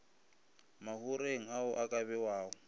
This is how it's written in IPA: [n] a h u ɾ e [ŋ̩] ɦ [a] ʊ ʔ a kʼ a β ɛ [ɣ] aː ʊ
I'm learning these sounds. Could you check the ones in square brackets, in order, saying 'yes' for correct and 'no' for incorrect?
no, yes, yes, no

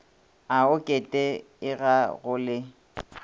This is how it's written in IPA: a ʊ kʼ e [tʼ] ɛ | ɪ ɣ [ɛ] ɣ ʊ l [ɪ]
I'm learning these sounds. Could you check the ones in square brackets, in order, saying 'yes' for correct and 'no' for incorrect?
yes, no, yes

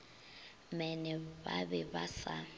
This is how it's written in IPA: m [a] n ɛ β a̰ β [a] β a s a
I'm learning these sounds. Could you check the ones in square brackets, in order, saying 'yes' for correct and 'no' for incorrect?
no, no

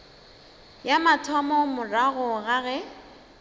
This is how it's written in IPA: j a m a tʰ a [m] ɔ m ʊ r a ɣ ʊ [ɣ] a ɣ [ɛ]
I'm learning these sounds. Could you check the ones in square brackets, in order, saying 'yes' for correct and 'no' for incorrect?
yes, yes, yes

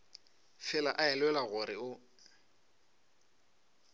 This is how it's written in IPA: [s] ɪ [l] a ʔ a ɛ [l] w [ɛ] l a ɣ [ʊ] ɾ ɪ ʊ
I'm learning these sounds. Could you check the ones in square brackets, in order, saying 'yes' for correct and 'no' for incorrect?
no, yes, yes, yes, yes

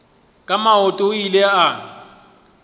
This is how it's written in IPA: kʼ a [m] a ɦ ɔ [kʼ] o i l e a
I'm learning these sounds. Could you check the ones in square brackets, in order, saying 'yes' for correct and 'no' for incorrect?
yes, no

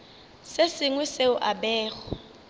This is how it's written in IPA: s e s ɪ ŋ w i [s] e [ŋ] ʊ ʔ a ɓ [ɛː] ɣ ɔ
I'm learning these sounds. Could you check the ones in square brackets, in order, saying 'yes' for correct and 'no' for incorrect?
yes, no, yes

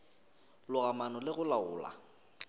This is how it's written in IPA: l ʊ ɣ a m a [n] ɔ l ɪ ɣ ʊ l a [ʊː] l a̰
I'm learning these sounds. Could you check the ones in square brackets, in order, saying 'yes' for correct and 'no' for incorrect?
yes, yes

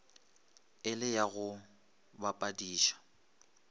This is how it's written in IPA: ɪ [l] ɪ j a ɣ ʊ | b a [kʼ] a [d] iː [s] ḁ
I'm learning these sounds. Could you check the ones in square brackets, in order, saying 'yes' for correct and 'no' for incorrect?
yes, no, yes, no

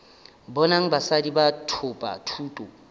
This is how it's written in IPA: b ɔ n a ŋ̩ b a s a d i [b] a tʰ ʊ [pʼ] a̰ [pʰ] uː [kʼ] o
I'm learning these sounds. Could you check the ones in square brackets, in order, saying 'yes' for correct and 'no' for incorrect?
yes, yes, no, no

